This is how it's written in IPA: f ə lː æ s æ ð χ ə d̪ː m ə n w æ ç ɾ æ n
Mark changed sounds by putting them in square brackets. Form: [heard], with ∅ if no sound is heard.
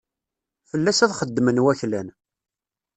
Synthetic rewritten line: f ə lː æ s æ ð χ ə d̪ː m ə n w æ ç [l] æ n